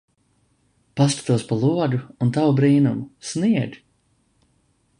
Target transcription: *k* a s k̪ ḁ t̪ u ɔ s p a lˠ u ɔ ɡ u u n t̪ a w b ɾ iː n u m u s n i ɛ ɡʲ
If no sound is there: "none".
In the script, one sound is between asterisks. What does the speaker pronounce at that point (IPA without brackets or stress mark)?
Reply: p